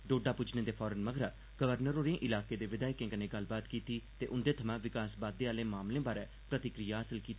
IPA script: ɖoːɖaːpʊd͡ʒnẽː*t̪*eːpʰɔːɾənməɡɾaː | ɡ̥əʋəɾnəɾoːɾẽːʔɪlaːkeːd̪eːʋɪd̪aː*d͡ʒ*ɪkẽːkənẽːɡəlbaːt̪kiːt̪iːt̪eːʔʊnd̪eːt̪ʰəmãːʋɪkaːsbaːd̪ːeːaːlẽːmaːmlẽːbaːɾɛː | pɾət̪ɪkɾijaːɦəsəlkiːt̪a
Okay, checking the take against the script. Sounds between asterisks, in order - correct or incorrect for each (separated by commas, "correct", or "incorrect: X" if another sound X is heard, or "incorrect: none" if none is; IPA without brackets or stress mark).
incorrect: d̪, incorrect: none